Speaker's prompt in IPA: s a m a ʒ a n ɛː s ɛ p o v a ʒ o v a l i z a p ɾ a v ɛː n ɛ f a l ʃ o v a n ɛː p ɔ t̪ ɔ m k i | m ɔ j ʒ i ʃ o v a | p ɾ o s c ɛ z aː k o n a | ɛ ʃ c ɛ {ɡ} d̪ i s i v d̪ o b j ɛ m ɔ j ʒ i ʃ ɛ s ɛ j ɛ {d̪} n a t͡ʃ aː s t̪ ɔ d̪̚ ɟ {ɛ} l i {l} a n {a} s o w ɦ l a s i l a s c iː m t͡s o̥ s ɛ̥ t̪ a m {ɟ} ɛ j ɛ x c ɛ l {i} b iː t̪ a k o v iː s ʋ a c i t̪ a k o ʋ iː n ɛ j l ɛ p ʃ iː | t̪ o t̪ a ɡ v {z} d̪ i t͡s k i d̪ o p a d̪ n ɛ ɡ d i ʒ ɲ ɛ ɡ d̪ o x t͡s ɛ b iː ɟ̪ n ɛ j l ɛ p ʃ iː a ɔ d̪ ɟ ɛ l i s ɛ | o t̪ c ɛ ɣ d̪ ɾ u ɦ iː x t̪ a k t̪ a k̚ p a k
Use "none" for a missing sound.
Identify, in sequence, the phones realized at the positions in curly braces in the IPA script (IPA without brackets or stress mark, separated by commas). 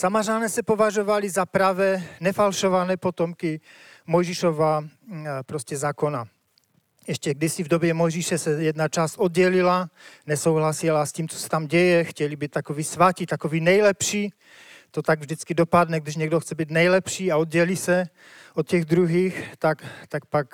ɡ, d̪, ɛ, l, ɛ, ɟ, i, ʒ